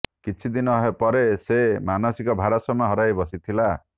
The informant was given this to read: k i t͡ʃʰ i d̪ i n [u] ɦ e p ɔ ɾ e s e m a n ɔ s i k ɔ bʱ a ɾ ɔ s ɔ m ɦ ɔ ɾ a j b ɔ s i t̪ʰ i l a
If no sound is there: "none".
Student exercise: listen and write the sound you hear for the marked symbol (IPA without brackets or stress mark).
ɔ